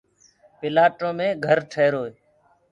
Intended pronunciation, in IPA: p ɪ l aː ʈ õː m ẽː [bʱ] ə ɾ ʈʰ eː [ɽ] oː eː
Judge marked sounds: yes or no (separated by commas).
no, no